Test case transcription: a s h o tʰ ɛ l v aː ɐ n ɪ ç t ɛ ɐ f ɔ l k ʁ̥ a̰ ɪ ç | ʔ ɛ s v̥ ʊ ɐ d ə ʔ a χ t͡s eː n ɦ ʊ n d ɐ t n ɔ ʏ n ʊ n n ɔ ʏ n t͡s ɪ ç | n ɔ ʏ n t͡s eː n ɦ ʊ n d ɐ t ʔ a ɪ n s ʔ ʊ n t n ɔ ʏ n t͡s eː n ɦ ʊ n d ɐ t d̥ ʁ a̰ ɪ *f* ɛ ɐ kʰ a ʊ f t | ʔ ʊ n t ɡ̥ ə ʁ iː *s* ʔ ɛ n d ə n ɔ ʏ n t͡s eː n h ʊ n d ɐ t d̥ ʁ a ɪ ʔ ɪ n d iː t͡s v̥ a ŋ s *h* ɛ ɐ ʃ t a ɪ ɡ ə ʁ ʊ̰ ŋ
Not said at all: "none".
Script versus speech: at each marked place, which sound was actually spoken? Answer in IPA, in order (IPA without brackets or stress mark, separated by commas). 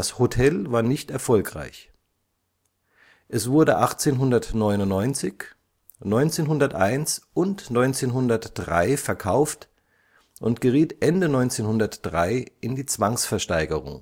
f, t, f